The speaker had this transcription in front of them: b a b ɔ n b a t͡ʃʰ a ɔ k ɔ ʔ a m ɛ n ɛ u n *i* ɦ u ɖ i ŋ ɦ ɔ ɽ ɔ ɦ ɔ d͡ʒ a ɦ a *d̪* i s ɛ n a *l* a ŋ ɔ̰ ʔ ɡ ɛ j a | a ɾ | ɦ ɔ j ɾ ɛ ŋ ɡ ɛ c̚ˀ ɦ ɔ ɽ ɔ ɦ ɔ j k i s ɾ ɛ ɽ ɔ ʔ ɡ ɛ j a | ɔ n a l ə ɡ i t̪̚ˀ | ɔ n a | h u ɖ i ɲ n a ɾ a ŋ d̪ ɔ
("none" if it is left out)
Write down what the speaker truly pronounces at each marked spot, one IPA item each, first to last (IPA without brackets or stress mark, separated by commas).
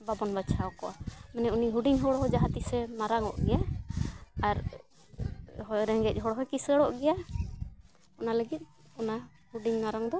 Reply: i, t̪, ɾ